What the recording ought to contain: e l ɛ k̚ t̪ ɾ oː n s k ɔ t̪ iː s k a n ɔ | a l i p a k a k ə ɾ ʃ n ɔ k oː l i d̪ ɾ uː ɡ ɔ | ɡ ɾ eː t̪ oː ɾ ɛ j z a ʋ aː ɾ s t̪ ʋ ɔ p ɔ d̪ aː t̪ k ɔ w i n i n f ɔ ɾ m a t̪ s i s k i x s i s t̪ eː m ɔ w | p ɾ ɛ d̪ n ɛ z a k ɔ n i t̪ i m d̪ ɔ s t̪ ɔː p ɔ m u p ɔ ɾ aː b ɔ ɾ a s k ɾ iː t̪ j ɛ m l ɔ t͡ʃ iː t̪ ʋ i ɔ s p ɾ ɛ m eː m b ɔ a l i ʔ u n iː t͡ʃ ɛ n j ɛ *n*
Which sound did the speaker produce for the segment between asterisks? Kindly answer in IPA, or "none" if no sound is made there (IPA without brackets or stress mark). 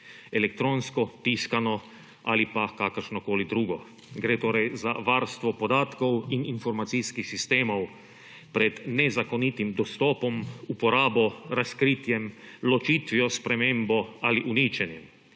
m